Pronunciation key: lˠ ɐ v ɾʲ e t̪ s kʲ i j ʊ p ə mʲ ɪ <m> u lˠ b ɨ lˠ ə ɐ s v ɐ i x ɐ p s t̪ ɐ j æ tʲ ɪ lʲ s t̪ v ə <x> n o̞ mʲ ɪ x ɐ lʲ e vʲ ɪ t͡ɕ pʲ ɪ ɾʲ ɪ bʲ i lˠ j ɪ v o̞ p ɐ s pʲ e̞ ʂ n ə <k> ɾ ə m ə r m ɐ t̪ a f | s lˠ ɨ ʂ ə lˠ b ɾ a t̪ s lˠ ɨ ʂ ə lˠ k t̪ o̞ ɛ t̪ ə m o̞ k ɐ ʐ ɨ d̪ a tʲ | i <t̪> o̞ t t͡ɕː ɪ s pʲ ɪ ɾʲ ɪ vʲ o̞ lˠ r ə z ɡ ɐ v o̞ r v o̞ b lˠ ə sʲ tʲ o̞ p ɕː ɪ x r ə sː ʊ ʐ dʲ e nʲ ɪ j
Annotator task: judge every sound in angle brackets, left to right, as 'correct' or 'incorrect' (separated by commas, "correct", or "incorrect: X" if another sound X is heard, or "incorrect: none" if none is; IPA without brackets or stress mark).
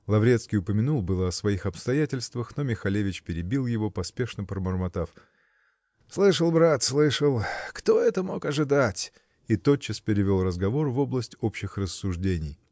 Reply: incorrect: n, correct, incorrect: p, correct